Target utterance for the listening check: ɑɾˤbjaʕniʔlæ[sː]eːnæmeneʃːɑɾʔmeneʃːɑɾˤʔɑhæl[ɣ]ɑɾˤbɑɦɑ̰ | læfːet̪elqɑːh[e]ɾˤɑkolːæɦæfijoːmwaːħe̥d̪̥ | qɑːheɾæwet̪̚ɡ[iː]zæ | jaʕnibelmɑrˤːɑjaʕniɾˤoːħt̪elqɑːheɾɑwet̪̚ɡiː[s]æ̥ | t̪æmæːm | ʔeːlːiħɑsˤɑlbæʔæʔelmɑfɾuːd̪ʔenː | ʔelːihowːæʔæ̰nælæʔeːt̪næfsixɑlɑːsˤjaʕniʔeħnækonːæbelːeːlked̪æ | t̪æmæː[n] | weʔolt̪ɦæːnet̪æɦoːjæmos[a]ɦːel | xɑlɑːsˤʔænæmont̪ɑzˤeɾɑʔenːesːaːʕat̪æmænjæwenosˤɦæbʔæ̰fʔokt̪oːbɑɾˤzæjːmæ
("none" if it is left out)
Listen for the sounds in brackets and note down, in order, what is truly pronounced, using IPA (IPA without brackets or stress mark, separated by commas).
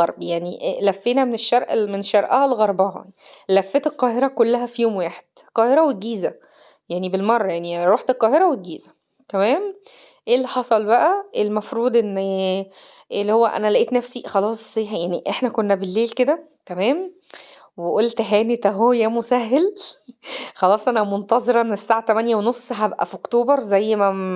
fː, ɣ, e, iː, z, m, æ